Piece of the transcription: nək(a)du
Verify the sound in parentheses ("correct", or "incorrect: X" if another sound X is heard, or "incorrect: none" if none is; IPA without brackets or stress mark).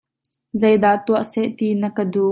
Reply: incorrect: ə